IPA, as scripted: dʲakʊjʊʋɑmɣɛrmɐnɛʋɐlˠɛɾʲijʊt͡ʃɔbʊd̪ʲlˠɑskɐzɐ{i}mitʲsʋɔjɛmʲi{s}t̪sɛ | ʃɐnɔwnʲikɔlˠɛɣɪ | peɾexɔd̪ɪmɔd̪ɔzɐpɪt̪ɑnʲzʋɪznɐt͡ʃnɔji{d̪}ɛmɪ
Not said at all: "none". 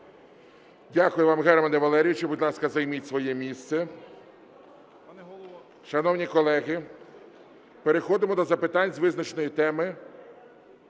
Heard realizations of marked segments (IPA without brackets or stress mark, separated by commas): j, s, t̪